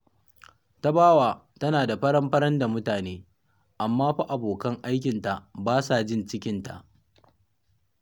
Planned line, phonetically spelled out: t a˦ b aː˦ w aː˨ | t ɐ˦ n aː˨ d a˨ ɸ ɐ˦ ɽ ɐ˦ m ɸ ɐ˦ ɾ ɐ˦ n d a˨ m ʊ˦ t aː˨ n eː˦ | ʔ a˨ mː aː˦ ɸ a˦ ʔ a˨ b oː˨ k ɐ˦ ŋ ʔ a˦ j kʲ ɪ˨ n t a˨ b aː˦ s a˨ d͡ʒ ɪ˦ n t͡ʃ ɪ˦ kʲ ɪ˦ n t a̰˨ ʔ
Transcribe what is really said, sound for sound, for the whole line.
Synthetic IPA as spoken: t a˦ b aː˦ w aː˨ | t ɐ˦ n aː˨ d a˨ ɸ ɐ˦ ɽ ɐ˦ m ɸ ɐ˦ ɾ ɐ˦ n d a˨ m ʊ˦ t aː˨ n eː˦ | ʔ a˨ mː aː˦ ɸ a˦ ʔ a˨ b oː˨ k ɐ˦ ŋ ʔ a˦ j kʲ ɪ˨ n t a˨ b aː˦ s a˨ d͡ʒ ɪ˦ n t͡ʃ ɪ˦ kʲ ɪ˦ n t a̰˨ ʔ